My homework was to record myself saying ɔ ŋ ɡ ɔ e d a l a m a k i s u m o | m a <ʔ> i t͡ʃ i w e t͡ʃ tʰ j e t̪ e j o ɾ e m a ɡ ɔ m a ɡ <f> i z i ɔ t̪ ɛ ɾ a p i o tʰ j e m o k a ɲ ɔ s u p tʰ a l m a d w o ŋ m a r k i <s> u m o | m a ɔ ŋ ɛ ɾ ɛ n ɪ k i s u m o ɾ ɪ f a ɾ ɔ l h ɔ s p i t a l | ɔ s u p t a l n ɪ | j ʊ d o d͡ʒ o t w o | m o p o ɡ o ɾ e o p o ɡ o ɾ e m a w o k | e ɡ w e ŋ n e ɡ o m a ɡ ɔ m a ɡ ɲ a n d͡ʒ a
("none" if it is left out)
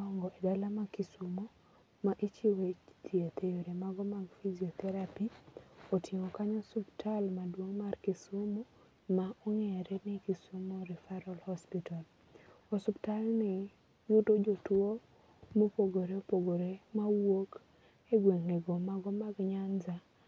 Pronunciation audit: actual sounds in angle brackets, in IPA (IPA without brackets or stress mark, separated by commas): ʔ, f, s